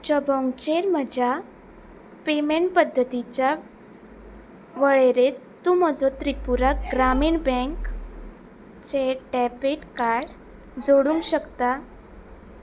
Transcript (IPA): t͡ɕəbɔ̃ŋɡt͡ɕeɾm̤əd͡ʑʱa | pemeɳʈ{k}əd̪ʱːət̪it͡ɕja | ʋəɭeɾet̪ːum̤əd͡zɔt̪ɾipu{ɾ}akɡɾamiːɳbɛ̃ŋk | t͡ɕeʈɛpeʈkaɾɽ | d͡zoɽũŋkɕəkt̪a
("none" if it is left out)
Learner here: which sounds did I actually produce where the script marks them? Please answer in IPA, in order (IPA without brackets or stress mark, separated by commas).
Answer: p, ɾ